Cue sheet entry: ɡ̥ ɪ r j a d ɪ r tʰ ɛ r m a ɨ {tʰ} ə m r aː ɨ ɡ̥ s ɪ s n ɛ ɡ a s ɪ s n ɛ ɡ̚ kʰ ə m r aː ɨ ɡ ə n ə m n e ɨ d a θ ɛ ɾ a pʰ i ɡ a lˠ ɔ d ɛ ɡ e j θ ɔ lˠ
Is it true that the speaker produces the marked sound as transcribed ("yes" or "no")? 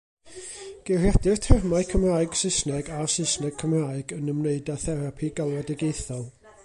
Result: no